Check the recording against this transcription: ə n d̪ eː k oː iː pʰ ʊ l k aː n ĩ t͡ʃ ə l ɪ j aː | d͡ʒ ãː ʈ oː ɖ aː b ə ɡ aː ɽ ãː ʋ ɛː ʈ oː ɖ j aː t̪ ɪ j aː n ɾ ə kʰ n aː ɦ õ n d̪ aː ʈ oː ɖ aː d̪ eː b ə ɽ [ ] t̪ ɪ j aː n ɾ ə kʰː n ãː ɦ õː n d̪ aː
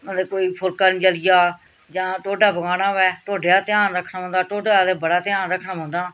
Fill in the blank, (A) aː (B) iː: A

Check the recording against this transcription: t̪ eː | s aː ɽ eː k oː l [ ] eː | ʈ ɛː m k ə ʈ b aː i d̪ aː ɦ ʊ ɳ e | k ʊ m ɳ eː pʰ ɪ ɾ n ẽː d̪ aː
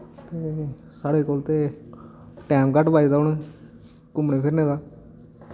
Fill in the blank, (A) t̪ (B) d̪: A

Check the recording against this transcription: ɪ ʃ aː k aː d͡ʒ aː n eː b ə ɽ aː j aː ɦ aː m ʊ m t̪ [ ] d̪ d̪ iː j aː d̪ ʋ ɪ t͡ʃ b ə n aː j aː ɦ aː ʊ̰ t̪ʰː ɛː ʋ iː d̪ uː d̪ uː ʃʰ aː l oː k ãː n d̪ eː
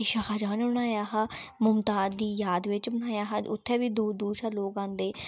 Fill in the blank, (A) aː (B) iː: A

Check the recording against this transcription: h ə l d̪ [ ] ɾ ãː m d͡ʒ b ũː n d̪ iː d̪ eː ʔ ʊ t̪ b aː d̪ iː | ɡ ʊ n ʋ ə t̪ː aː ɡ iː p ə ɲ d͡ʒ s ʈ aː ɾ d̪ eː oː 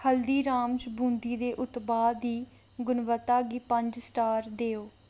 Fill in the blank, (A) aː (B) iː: B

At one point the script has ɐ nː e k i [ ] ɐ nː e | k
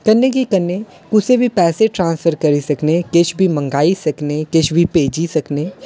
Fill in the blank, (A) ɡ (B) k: B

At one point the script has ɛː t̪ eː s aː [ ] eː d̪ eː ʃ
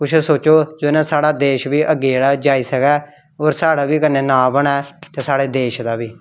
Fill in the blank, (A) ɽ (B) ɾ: A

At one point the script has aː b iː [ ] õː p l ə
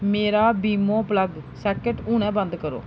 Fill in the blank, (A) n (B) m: B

